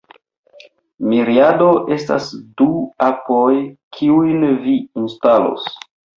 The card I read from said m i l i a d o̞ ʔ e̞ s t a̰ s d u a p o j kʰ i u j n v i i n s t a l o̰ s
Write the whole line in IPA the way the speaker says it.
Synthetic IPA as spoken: m i ɾ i a d o̞ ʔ e̞ s t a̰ s d u a p o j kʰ i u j n v i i n s t a l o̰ s